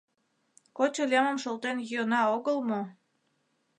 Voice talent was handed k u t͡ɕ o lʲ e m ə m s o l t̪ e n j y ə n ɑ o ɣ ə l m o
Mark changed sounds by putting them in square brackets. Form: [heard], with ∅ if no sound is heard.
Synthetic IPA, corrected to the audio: k [o] t͡ɕ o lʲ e m ə m [ʃ] o l t̪ e n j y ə n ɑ o ɣ ə l m o